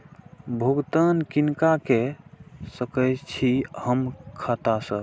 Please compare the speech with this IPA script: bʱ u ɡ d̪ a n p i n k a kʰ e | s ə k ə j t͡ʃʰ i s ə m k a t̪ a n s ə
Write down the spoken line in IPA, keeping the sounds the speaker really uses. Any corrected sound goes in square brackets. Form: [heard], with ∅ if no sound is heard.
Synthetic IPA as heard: bʱ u ɡ [t̪] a n [k] i n k a [k] e | s ə k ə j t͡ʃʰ i [h] ə m [kʰ] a t̪ a [∅] s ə